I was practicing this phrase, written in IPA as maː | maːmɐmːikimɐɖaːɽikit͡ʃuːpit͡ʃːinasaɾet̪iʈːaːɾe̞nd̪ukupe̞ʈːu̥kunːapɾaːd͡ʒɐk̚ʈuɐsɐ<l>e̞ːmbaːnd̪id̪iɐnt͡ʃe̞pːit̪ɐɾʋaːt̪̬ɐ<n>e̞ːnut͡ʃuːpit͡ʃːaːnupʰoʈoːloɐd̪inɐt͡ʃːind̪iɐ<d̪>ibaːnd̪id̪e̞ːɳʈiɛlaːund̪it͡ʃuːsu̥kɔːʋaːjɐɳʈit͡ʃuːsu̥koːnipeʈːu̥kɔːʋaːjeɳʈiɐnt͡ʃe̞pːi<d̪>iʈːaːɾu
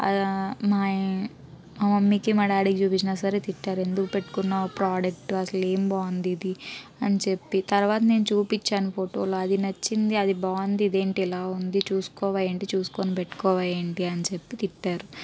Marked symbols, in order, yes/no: yes, yes, yes, no

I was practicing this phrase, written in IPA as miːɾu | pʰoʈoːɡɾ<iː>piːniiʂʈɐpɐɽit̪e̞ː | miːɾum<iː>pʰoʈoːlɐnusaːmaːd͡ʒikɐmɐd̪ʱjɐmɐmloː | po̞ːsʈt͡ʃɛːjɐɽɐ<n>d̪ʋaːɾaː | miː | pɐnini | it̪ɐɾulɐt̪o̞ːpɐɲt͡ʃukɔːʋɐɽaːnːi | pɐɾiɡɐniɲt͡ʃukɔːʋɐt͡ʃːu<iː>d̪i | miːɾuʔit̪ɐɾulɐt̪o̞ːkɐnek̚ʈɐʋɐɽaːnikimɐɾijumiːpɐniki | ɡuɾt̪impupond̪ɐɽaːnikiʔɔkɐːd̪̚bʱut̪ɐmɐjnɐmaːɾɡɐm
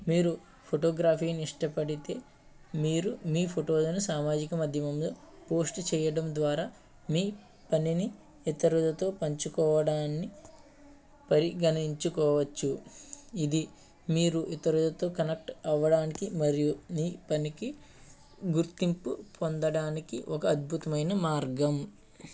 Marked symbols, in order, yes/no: no, yes, no, no

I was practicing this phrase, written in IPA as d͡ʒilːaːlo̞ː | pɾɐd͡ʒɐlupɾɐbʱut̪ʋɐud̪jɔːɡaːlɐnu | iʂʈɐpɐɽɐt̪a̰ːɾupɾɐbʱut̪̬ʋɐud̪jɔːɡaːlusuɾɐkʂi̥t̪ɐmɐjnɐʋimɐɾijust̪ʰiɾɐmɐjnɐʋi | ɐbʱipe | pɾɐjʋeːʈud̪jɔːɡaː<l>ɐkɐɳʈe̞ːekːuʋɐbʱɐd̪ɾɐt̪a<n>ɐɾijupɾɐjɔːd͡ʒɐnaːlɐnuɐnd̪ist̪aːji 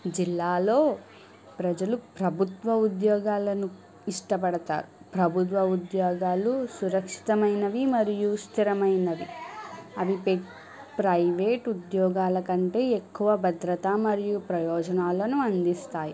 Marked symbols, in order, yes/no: yes, no

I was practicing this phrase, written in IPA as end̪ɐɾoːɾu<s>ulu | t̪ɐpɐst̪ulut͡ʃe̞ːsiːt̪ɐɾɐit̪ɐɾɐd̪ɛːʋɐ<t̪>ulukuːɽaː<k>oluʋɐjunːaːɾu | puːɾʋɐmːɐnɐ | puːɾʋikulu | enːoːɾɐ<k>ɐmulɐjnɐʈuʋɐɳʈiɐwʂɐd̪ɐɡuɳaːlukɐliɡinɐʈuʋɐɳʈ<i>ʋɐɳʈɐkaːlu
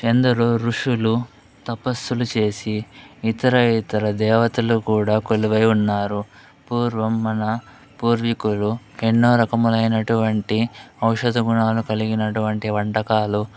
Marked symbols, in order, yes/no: no, yes, yes, yes, yes

